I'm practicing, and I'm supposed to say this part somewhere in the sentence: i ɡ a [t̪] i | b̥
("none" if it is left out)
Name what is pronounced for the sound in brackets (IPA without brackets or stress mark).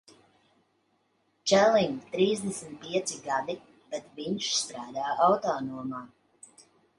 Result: d̪